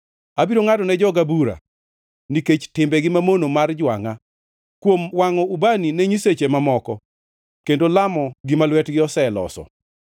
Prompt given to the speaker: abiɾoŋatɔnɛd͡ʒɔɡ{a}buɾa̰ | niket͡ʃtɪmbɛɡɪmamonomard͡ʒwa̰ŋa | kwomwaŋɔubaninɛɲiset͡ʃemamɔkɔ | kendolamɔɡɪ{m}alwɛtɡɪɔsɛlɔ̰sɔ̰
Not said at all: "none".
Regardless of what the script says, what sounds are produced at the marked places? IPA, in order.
a, m

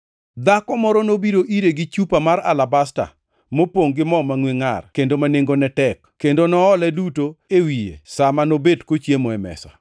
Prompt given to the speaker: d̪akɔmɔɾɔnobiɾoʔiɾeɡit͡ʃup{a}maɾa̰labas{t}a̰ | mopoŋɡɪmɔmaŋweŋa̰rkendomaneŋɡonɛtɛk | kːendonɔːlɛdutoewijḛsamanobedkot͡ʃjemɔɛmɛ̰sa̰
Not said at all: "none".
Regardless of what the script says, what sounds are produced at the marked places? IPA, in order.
a, t

